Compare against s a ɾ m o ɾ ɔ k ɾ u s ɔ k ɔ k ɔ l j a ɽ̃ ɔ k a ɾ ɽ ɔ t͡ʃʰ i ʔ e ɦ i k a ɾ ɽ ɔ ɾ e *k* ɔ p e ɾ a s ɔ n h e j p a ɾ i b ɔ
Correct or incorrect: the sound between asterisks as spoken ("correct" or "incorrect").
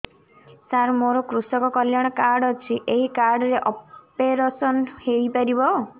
incorrect